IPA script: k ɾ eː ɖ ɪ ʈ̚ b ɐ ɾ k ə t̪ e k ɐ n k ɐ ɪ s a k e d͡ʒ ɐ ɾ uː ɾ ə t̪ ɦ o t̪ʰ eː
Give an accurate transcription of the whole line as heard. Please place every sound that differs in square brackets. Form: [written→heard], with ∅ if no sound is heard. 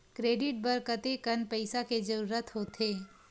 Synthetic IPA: k ɾ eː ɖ ɪ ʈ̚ b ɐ ɾ k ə t̪ e k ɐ n [k→p] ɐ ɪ s a k e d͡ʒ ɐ ɾ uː ɾ ə t̪ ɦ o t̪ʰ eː

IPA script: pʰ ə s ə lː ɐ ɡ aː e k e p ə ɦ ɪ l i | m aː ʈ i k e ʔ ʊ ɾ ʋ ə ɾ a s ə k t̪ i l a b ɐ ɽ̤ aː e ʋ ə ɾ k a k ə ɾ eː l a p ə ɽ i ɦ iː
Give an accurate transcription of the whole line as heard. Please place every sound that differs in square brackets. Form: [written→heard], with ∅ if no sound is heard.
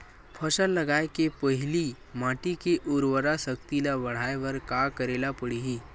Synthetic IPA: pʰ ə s ə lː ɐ ɡ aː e k e p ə ɦ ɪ l i | m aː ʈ i k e ʔ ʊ ɾ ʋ ə ɾ a s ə k t̪ i l a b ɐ ɽ̤ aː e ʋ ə ɾ k a k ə ɾ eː l a p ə ɽ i ɦ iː

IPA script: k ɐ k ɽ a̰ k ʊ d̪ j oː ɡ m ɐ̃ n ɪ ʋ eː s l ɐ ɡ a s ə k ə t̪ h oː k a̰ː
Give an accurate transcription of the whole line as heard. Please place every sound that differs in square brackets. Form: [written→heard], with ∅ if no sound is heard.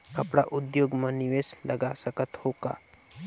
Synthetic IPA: k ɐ [k→p] ɽ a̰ [k→ʔ] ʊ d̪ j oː ɡ m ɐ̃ n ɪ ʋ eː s l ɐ ɡ a s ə k ə t̪ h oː k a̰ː

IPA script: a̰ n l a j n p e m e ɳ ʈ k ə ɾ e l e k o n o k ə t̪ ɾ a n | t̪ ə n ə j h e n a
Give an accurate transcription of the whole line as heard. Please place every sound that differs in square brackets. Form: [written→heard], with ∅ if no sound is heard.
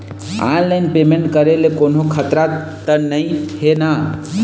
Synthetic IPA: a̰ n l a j n p e m e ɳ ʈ k ə ɾ e l e k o n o [k→kʰ] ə t̪ ɾ a [n→∅] | t̪ ə n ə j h e n a

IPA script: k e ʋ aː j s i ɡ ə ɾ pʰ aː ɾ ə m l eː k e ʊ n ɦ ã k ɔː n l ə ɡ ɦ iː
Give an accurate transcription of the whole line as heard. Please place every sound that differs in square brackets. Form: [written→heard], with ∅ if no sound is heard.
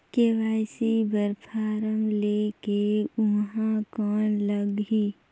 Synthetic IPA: k e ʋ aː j s i [ɡ→b] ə ɾ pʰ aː ɾ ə m l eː k e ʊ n ɦ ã k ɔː n l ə ɡ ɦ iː

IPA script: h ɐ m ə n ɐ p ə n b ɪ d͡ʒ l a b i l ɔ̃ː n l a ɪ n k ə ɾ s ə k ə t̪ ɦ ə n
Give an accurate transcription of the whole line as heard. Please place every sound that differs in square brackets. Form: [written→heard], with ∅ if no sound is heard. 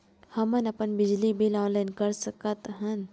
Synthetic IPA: h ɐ m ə n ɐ p ə n b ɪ d͡ʒ l [a→i] b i l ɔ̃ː n l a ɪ n k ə ɾ s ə k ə t̪ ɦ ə n

